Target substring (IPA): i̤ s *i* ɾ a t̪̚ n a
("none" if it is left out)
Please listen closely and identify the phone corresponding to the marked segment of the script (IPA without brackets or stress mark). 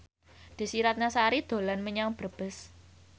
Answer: i